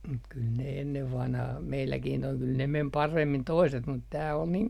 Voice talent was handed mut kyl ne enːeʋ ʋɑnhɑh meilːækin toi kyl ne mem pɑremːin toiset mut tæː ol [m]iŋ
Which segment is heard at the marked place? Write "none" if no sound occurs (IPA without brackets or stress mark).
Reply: n